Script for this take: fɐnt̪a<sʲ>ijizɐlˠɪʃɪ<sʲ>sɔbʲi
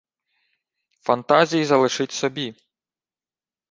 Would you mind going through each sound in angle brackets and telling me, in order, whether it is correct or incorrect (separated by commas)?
incorrect, incorrect